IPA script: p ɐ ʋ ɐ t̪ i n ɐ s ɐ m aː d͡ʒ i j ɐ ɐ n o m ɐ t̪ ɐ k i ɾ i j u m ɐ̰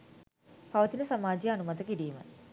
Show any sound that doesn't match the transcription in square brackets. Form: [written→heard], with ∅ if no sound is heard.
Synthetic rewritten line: p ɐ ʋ ɐ t̪ i n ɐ s ɐ m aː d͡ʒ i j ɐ ɐ n [o→u] m ɐ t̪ ɐ k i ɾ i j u m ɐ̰